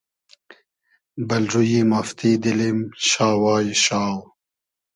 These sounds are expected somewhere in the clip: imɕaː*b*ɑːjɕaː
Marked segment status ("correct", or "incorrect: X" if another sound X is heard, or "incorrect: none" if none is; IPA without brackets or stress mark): incorrect: w